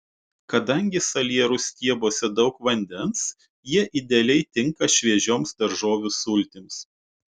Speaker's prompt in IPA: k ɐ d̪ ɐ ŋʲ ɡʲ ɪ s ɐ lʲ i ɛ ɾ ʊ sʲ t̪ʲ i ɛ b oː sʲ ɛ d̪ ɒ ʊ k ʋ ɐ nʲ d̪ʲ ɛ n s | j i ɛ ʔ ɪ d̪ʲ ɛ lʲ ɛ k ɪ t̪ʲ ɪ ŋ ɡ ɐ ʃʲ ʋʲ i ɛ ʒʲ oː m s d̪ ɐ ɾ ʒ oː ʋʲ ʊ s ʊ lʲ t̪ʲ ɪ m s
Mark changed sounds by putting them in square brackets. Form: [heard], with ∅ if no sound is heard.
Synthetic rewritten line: k ɐ d̪ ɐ ŋʲ ɡʲ ɪ s ɐ lʲ i ɛ ɾ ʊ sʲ t̪ʲ i ɛ b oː sʲ ɛ d̪ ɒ ʊ k ʋ ɐ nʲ d̪ʲ ɛ n s | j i ɛ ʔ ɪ d̪ʲ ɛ lʲ ɛ [∅] ɪ t̪ʲ ɪ ŋ [k] ɐ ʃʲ ʋʲ i ɛ ʒʲ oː m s d̪ ɐ ɾ ʒ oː ʋʲ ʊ s ʊ lʲ t̪ʲ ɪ m s